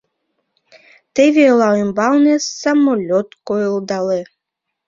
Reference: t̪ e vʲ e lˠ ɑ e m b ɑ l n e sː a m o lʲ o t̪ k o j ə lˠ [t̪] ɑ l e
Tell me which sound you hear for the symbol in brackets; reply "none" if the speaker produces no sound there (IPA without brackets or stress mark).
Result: d̪